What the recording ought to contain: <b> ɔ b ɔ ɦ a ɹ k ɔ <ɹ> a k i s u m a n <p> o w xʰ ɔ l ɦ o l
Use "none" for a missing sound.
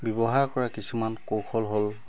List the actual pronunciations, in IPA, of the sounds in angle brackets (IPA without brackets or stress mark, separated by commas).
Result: b, ɹ, k